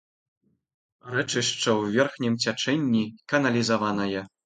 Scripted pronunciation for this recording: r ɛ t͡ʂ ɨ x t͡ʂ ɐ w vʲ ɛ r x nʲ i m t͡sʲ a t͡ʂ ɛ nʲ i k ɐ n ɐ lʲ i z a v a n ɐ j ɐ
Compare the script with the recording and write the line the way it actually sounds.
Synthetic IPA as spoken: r ɛ t͡ʂ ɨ ʂ t͡ʂ ɐ w vʲ ɛ r x nʲ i m t͡sʲ a t͡ʂ ɛ nʲː i k ɐ n ɐ lʲ i z a v a n ɐ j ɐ